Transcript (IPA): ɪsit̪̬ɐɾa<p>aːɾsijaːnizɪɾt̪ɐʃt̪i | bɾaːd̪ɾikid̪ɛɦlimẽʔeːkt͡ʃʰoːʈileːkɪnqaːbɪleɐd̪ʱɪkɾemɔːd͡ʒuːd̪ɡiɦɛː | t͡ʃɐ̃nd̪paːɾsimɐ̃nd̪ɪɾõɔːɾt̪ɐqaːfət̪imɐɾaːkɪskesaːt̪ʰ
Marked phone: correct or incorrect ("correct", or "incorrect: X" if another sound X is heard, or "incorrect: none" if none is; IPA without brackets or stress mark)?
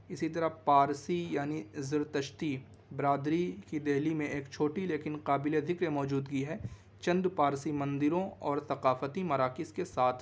correct